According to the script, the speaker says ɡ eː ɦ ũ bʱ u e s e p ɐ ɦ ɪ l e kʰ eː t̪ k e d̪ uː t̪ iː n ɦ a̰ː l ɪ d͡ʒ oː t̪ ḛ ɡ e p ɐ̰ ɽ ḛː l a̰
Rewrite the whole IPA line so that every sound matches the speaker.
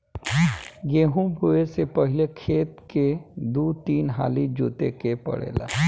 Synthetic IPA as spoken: ɡ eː ɦ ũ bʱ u e s e p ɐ ɦ ɪ l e kʰ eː t̪ k e d̪ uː t̪ iː n ɦ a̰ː l i d͡ʒ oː t̪ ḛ k e p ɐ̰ ɽ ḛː l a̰